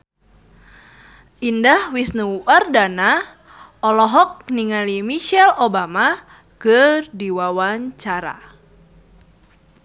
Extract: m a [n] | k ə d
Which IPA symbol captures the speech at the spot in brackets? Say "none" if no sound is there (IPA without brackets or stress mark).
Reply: none